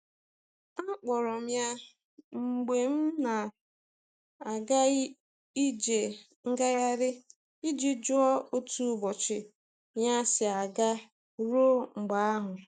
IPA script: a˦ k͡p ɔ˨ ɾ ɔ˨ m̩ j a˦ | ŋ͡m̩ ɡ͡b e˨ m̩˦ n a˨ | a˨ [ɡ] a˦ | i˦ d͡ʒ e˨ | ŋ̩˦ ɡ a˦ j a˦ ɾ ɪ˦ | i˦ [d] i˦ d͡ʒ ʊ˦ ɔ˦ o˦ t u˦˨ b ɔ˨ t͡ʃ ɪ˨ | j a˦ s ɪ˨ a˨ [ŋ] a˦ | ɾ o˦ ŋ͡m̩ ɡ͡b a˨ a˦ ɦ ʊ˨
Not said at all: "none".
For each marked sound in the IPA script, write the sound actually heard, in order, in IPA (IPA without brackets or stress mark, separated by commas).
ɡ, d͡ʒ, ɡ